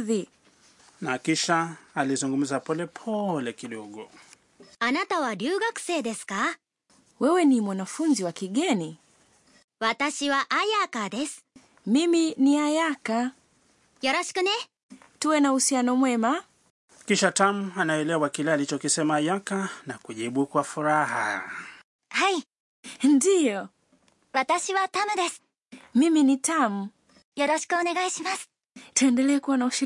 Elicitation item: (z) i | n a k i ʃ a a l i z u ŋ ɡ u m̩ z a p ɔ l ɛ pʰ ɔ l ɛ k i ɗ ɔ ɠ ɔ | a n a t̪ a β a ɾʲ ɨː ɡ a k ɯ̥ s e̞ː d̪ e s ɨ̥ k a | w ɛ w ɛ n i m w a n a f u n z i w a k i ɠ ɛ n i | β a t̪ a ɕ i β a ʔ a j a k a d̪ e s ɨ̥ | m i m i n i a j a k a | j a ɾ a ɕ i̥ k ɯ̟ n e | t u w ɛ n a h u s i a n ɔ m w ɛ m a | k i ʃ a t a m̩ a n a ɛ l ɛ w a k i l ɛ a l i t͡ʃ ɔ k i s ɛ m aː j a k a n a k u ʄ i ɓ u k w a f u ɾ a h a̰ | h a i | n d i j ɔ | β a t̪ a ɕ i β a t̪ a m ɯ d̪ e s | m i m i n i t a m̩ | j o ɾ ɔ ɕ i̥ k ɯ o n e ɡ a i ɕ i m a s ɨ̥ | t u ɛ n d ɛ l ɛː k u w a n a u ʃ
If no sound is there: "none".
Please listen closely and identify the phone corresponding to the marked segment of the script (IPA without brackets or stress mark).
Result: ð